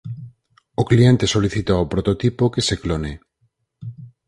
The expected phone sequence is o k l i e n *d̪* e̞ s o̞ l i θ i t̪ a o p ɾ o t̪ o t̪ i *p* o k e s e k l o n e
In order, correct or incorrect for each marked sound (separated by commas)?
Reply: incorrect, correct